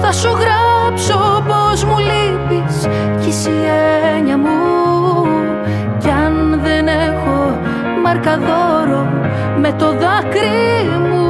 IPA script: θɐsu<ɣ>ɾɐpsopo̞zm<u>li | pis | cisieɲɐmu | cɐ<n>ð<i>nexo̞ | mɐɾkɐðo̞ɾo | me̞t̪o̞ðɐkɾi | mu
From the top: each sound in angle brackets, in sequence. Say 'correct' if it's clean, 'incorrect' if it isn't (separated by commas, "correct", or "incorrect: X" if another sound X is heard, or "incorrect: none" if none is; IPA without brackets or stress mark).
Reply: correct, correct, correct, incorrect: e